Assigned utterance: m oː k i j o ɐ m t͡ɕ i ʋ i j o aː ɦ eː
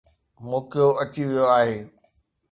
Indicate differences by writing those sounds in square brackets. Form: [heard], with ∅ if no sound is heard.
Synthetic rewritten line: m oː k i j o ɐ [∅] t͡ɕ i ʋ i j o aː ɦ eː